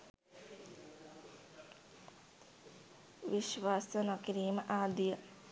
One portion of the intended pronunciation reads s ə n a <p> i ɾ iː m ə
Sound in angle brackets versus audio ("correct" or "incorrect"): incorrect